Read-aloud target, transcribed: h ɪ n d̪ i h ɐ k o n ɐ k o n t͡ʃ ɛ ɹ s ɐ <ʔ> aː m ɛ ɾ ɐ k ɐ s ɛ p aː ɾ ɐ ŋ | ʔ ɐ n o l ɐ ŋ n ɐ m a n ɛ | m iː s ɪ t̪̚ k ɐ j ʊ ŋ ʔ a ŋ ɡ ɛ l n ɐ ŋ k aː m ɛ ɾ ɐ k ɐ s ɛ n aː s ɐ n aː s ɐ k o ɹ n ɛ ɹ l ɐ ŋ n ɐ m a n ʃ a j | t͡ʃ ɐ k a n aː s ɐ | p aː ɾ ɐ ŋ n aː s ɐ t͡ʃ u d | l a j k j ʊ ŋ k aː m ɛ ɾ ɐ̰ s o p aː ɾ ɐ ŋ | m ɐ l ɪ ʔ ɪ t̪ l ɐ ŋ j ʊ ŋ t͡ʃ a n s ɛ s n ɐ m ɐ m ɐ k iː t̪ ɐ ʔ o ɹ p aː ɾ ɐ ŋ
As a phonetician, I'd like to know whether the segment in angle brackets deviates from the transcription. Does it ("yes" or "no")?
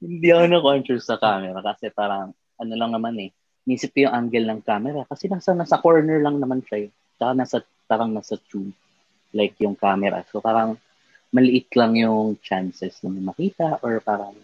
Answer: yes